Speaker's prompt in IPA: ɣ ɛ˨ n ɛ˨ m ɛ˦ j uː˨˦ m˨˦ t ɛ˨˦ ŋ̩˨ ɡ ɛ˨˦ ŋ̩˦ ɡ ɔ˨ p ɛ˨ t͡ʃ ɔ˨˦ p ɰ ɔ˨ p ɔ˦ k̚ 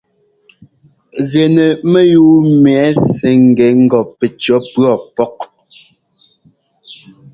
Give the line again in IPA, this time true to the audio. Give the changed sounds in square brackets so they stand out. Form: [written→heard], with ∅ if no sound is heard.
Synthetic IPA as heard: ɣ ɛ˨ n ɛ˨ m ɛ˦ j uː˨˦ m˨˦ [t→s] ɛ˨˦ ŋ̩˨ ɡ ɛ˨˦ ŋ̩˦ ɡ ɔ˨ p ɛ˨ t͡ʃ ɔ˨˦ p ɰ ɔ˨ p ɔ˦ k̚